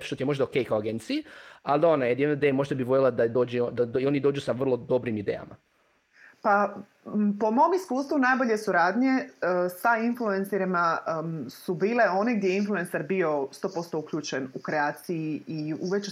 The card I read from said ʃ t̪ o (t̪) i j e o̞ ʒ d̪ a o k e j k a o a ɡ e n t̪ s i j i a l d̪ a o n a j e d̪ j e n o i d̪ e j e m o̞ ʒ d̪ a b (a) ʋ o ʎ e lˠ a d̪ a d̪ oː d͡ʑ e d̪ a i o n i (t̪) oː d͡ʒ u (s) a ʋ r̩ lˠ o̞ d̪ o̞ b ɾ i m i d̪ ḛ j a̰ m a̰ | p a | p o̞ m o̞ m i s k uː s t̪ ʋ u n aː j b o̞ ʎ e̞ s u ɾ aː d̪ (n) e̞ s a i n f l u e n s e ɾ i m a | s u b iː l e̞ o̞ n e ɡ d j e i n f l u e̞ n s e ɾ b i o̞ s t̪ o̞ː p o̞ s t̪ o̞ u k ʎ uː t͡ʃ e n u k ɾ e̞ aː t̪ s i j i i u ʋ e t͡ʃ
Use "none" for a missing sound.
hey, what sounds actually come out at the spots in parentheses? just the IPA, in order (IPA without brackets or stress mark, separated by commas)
t̪, i, d̪, s, ɲ